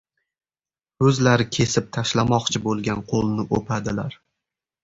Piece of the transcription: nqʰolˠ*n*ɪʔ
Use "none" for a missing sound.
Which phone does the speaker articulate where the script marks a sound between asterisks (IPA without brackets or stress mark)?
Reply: n